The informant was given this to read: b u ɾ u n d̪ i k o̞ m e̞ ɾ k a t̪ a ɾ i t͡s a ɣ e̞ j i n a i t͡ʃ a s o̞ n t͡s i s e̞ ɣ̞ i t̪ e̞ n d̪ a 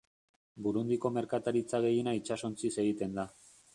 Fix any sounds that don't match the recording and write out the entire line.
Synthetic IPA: b u ɾ u n d̪ i k o̞ m e̞ ɾ k a t̪ a ɾ i t͡s a ɣ e̞ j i n a i t͡ʃ a s o̞ n t͡s i s e̞ ɣ̞ i t̪ e̞ n d̪ a